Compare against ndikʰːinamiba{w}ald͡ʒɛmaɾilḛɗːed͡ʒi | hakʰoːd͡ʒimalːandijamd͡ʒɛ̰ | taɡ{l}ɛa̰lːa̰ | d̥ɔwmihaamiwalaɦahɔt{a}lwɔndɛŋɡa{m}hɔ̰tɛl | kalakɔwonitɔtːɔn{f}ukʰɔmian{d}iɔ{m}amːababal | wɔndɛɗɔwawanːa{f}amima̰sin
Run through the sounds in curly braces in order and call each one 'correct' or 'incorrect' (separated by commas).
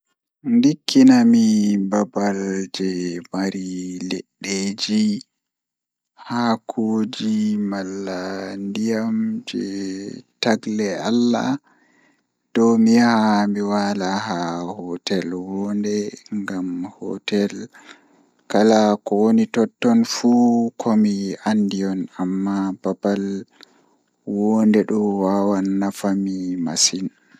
incorrect, correct, incorrect, correct, correct, correct, incorrect, correct